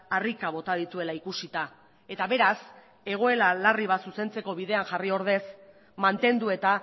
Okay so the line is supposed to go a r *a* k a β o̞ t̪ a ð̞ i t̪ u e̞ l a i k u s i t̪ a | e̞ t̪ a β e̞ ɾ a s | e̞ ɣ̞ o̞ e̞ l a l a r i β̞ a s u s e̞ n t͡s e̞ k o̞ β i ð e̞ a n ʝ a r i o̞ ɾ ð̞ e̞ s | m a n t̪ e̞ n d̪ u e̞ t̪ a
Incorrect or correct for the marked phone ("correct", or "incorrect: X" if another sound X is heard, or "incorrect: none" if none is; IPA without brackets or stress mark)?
incorrect: i